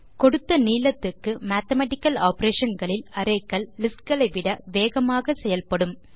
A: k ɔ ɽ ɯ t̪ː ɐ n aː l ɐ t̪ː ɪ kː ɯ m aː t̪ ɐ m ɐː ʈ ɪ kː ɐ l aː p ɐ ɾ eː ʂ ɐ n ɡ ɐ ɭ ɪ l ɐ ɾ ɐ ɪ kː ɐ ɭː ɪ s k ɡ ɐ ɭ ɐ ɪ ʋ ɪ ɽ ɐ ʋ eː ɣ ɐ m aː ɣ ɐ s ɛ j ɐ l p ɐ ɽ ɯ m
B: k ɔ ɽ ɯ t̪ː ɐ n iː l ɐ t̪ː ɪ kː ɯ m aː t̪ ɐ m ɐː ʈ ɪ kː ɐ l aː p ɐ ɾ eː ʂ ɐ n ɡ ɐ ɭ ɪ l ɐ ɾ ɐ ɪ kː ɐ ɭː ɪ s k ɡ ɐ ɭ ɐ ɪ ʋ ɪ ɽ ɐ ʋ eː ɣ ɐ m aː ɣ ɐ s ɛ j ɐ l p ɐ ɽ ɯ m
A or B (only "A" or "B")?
B